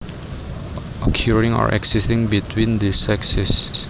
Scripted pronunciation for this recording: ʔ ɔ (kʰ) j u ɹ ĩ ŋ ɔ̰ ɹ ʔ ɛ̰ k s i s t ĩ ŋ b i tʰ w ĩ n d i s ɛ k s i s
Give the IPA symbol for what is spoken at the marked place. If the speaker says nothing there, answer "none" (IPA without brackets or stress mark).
kʰ